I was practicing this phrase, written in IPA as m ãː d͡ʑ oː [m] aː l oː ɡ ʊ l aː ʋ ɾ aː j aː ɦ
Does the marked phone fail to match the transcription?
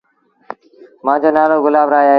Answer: yes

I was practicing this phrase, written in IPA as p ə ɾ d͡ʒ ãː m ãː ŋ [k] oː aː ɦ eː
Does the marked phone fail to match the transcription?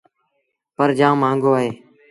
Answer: yes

